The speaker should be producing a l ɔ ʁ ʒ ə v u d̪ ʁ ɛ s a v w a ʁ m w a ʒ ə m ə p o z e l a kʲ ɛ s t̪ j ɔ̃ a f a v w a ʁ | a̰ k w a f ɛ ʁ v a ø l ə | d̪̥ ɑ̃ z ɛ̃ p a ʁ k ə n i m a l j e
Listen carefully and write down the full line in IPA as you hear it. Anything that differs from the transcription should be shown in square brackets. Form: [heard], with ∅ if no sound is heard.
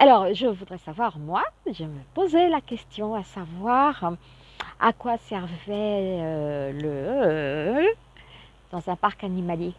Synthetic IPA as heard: a l ɔ ʁ ʒ ə v u d̪ ʁ ɛ s a v w a ʁ m w a ʒ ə m ə p o z e l a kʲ ɛ s t̪ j ɔ̃ a [s] a v w a ʁ | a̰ k w a [s] ɛ ʁ v [ɛ] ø l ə | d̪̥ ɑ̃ z ɛ̃ p a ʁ k [a] n i m a l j e